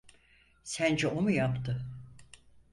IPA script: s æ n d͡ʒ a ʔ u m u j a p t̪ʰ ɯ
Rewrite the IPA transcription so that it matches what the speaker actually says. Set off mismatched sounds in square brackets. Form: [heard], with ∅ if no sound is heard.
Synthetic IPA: s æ n d͡ʒ [ɛ] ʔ [o] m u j a p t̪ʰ ɯ